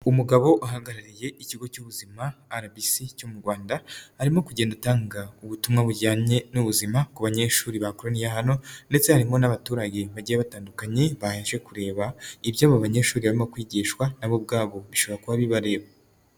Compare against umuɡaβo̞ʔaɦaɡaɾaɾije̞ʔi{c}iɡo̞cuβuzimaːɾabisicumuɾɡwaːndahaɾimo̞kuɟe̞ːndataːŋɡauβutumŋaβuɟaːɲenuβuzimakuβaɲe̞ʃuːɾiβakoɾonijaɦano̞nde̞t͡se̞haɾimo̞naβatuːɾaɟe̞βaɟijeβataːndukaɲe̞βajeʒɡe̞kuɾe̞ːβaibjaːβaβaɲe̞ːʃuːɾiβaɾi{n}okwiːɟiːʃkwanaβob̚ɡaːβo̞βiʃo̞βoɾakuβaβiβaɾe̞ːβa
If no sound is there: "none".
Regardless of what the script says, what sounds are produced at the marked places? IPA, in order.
c, m

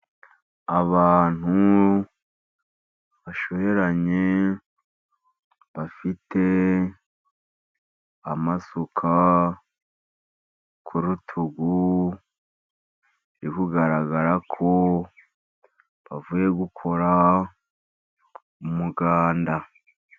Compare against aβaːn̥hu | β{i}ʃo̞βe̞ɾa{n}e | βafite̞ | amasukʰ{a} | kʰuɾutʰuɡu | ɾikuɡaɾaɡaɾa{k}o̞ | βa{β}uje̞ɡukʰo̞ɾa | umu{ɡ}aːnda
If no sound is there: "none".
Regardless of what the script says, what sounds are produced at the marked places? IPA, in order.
a, ɲ, a, kʰ, v, ɡ

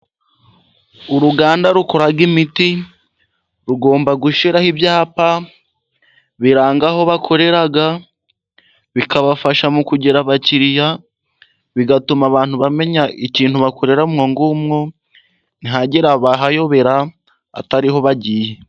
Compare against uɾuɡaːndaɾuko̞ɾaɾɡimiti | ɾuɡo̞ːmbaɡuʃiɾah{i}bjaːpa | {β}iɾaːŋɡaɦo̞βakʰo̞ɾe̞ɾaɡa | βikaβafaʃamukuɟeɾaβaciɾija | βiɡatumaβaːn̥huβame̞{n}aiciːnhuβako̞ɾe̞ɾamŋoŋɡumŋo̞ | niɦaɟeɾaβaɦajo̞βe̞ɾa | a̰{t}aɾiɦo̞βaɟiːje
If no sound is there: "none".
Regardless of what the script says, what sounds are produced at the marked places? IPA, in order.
i, β, ɲ, t

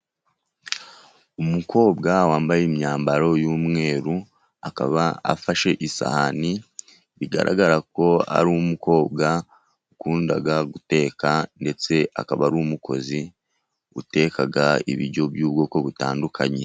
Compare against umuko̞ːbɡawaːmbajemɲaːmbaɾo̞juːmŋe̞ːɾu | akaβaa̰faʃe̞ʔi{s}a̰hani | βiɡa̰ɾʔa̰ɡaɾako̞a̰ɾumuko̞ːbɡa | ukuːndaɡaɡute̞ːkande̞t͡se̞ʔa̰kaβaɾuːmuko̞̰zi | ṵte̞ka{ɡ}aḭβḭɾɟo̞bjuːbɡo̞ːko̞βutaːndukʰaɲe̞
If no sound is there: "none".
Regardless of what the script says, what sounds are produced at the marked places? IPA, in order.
s, ɡ

